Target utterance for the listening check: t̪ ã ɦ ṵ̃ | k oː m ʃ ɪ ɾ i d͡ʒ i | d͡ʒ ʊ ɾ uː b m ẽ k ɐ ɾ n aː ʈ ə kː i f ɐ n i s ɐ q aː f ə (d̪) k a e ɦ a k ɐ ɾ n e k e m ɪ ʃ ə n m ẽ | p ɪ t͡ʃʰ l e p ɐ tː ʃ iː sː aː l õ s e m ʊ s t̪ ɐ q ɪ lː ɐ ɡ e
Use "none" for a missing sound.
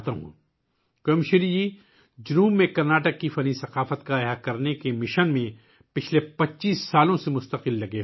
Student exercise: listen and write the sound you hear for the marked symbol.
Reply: t̪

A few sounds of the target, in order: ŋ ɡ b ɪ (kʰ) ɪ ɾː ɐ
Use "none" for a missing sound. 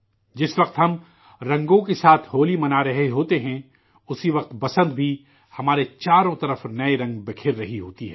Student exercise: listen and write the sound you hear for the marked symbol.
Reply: kʰ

